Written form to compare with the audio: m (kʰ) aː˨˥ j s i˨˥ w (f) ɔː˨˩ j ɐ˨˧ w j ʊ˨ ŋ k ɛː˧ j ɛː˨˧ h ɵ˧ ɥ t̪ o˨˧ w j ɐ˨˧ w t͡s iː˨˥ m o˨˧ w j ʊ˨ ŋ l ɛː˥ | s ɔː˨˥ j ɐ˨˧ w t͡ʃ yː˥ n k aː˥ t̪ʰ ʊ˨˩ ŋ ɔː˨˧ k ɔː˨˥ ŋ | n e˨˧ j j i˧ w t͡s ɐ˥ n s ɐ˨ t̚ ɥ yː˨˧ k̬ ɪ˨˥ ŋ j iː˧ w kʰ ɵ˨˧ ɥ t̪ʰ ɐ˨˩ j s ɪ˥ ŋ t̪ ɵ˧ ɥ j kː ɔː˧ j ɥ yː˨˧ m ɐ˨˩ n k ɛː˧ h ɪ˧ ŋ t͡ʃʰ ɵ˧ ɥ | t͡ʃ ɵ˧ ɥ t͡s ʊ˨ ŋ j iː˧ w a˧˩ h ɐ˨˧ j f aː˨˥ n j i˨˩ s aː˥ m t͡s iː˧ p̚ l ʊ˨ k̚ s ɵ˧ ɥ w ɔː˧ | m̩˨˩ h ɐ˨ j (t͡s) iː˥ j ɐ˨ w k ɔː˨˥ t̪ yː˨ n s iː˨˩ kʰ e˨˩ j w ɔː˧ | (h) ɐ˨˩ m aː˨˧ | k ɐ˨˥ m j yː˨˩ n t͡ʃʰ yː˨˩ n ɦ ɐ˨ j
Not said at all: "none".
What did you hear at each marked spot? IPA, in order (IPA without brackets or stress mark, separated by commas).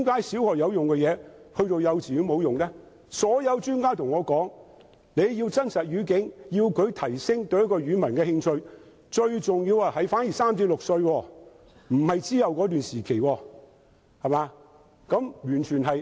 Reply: k, h, t͡s, h